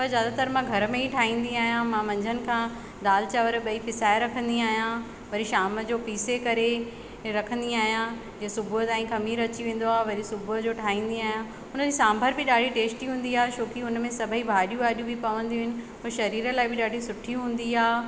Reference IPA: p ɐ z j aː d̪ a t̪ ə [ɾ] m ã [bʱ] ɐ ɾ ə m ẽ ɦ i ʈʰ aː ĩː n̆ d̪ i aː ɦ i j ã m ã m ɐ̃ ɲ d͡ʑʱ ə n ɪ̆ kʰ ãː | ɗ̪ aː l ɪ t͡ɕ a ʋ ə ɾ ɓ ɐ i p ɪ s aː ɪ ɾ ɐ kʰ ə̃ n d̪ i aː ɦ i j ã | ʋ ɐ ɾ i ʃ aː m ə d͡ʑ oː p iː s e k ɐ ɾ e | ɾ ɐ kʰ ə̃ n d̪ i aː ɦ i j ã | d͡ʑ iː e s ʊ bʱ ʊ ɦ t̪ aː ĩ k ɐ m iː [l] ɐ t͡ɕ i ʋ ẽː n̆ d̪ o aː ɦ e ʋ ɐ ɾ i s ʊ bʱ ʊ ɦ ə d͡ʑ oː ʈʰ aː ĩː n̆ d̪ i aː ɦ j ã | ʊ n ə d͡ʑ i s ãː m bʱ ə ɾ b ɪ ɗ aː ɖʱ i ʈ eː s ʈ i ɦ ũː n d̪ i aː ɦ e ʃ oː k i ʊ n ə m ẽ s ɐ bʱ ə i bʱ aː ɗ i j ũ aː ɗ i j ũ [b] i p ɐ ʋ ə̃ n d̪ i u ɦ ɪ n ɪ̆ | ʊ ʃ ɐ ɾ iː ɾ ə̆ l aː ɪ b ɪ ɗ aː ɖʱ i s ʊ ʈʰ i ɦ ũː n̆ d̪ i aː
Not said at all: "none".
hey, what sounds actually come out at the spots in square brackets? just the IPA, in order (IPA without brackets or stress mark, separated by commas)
ɾ, ɡʱ, ɾ, b